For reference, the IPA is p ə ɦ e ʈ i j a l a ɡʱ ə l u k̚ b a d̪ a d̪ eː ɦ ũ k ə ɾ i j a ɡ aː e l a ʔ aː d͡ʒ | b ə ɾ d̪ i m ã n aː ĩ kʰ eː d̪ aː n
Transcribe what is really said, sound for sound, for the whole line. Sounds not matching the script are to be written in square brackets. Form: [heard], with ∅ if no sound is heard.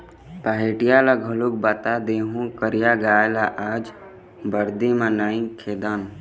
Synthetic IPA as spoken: p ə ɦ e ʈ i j a l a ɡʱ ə l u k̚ b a [t̪] a d̪ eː ɦ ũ k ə ɾ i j a ɡ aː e l a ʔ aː d͡ʒ | b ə ɾ d̪ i m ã n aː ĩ kʰ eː d̪ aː n